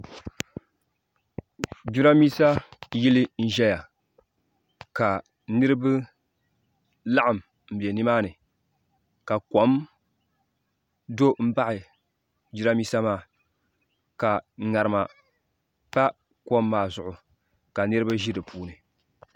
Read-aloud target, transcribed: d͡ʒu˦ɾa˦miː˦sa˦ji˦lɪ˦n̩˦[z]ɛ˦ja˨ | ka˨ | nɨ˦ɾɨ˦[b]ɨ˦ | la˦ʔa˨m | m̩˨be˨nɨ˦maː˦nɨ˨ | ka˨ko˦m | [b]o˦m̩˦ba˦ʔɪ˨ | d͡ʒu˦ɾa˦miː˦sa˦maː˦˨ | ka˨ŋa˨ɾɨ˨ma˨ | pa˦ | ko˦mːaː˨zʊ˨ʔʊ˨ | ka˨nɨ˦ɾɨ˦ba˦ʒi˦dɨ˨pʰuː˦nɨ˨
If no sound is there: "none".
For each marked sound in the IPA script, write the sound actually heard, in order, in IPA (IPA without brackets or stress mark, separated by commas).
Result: ʒ, b, d